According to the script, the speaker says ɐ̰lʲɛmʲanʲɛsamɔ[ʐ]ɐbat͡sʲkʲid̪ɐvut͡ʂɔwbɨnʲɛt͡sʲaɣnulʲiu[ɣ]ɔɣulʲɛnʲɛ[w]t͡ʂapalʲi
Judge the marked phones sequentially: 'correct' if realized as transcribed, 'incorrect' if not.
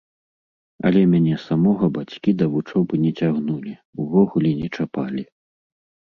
incorrect: ɣ, incorrect: v, incorrect: none

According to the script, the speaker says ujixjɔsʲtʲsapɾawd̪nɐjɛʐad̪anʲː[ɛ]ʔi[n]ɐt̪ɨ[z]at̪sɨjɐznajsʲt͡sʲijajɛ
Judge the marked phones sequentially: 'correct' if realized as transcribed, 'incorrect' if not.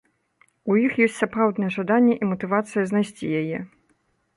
correct, incorrect: m, incorrect: v

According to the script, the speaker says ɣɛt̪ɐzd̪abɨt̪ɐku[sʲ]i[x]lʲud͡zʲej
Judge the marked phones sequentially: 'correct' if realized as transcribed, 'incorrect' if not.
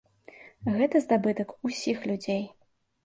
correct, correct

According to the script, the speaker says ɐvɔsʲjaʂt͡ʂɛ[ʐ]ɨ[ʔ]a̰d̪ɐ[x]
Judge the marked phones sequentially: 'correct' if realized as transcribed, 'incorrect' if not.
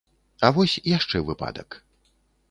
incorrect: v, incorrect: p, incorrect: k

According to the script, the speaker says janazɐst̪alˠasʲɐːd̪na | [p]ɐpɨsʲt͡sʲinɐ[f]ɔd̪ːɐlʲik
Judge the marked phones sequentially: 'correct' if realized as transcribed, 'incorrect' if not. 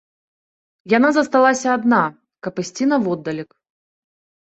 incorrect: k, incorrect: v

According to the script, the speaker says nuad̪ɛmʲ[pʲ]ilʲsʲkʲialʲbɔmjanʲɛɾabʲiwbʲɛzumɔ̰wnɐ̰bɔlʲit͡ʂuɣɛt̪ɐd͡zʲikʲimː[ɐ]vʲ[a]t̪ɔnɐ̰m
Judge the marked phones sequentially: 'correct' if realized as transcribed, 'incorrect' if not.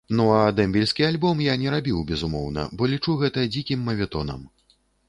incorrect: bʲ, correct, incorrect: ɛ

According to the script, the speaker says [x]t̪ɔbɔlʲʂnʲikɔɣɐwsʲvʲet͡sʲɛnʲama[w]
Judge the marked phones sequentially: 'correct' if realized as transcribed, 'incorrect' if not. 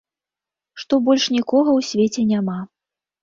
incorrect: ʂ, incorrect: none

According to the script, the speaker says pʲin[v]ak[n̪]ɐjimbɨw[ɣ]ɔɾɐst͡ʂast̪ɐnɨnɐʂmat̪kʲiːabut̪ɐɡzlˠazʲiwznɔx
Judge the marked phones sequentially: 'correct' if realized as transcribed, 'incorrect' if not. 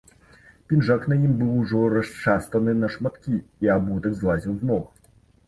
incorrect: ʐ, correct, incorrect: ʐ

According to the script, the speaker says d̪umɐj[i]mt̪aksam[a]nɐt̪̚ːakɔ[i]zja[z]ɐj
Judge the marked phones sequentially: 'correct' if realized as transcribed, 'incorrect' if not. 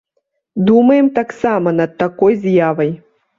incorrect: ɛ, incorrect: ɐ, incorrect: j, incorrect: v

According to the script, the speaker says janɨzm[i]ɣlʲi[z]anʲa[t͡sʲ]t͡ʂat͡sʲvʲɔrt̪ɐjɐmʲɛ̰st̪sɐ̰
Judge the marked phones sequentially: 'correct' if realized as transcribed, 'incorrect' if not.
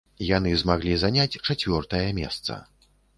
incorrect: a, correct, correct

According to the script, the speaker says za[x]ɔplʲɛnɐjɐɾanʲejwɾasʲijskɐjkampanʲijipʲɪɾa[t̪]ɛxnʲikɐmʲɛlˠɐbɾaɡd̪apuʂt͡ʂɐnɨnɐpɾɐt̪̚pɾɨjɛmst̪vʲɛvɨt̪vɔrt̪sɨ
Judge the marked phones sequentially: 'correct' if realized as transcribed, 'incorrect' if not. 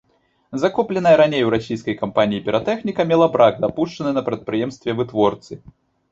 incorrect: k, correct

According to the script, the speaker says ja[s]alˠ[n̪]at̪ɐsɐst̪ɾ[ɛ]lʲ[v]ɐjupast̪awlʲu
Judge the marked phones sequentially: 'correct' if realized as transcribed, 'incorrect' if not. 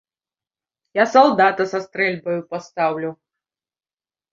correct, incorrect: d̪, correct, incorrect: b

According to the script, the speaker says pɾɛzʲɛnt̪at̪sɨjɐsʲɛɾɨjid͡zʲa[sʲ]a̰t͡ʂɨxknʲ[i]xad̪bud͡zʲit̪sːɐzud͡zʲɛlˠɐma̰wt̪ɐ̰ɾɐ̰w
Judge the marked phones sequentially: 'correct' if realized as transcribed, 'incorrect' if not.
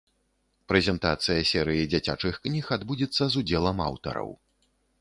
incorrect: t͡sʲ, correct

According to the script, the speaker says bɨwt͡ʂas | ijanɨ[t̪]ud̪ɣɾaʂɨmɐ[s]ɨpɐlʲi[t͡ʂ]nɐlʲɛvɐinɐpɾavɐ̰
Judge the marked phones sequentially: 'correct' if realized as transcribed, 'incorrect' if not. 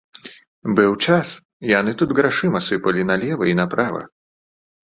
correct, correct, incorrect: none

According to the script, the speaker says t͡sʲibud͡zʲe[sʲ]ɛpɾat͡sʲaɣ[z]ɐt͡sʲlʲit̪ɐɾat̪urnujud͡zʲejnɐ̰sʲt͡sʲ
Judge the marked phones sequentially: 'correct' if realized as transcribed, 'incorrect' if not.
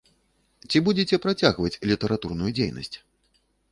incorrect: t͡sʲ, incorrect: v

